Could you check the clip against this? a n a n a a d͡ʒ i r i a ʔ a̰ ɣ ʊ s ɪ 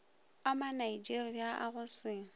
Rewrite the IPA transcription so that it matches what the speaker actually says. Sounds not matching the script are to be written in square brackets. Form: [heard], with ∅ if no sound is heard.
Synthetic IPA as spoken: a [m] a n a [i] d͡ʒ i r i a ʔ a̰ ɣ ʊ s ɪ